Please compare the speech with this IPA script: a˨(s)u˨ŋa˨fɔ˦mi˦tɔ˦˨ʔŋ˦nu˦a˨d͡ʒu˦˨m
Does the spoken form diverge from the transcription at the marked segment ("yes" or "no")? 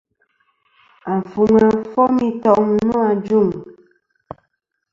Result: yes